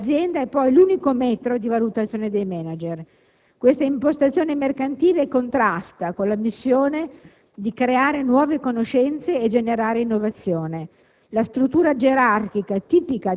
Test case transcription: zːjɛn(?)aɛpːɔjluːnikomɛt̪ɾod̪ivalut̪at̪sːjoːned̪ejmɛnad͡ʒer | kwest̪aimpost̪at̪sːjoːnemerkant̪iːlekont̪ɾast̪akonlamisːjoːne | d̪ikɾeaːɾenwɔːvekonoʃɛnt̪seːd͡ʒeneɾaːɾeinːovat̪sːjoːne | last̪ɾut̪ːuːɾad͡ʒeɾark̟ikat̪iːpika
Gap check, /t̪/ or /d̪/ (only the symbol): d̪